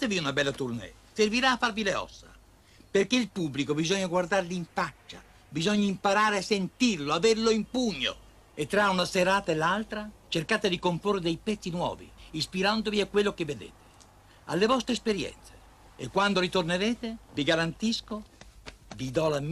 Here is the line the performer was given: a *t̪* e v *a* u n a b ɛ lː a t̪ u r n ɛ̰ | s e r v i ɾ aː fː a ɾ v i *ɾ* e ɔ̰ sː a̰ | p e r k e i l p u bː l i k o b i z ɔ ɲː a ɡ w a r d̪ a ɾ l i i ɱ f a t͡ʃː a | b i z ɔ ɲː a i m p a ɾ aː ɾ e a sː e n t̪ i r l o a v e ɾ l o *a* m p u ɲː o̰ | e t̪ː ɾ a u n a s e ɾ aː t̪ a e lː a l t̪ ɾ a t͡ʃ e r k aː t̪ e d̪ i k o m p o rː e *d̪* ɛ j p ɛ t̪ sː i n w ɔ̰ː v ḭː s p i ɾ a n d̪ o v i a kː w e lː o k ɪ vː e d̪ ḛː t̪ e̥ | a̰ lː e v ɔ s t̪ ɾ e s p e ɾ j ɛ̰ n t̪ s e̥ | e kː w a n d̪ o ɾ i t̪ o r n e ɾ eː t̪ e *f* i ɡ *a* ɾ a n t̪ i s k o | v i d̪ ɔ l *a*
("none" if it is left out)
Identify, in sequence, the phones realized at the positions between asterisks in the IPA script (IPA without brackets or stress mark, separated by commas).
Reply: t̪, i, l, i, d̪, v, a, a